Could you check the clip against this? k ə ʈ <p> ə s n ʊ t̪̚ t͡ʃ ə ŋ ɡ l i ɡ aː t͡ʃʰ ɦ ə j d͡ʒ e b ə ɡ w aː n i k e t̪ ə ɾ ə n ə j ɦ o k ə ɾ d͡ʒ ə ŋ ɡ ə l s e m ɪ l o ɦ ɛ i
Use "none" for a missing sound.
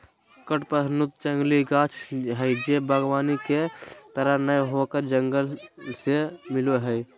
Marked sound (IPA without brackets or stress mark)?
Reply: p